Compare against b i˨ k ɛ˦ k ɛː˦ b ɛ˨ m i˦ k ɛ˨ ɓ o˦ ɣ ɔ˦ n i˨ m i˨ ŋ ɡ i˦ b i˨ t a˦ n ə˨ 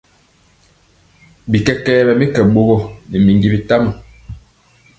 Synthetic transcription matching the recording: b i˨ k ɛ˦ k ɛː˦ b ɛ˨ m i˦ k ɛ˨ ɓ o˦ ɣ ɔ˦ n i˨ m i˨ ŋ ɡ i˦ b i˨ t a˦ m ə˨